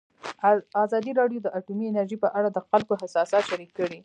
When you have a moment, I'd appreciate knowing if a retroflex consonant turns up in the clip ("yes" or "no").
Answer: yes